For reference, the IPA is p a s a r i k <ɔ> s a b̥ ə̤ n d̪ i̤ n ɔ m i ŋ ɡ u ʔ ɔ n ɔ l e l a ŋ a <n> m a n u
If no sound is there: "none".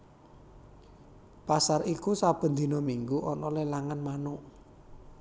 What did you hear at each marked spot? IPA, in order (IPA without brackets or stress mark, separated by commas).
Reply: u, n